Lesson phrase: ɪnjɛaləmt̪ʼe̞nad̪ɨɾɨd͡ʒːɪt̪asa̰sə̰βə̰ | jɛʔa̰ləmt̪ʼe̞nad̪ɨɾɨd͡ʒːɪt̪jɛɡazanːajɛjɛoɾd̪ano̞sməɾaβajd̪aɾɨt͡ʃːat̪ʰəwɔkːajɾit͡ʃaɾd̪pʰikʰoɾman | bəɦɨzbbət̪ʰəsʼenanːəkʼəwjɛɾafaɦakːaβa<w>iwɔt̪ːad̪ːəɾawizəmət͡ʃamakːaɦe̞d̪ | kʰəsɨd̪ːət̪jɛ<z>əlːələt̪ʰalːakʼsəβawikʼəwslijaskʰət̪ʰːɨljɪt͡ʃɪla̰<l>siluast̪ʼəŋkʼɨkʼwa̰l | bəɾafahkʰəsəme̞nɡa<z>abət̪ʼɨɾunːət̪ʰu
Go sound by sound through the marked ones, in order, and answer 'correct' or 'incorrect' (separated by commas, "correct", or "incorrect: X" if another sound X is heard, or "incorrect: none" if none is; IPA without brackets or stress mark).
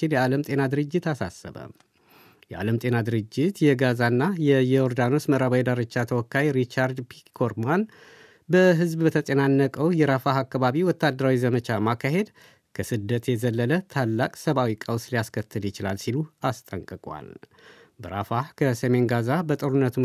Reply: incorrect: β, correct, correct, correct